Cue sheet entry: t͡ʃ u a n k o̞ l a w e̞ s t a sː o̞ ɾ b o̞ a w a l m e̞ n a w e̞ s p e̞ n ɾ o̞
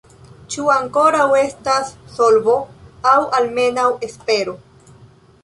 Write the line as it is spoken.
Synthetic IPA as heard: t͡ʃ u a ŋ k o̞ ɾ a w e̞ s t a sː o̞ l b o̞ a w a l m e̞ n a w e̞ s p e̞ ɾ o̞